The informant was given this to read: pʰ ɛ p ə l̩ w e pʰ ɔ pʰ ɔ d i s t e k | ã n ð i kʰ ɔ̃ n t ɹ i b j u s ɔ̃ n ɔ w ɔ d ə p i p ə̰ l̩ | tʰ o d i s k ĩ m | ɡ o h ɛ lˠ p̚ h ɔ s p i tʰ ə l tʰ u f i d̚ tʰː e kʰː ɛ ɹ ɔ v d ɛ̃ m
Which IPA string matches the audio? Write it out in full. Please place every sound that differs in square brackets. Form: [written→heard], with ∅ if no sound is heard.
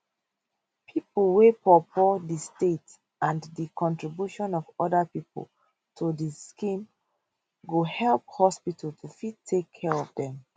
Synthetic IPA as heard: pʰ [ɛ→i] p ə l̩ w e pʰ ɔ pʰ ɔ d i s t e [k→t] | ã n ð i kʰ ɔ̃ n t ɹ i b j u [s→ʃ] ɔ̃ n ɔ [w→v] ɔ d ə p i p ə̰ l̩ | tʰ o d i s k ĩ m | ɡ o h ɛ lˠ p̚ h ɔ s p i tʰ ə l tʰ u f i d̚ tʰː e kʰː ɛ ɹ ɔ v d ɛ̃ m